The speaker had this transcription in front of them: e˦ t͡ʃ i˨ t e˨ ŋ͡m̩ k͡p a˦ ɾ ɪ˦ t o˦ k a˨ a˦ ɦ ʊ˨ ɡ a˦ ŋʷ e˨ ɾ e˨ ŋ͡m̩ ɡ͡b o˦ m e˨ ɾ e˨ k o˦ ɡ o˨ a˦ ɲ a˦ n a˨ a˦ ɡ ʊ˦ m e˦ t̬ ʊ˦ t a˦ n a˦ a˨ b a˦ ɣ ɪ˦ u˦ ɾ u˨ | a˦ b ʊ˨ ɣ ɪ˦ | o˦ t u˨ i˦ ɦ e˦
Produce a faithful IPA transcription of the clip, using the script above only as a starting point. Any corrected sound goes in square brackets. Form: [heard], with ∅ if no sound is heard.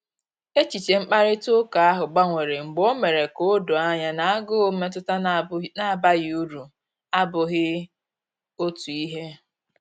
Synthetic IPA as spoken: e˦ t͡ʃ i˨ [t͡ʃ] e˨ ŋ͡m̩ k͡p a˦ ɾ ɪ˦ t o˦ k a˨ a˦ ɦ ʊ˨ [ɡ͡b] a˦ ŋʷ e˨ ɾ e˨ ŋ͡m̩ ɡ͡b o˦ m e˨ ɾ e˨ k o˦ [d] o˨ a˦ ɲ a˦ n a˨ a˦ ɡ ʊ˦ m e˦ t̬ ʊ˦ t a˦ n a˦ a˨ b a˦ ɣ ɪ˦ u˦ ɾ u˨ | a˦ b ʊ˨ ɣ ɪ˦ | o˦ t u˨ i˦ ɦ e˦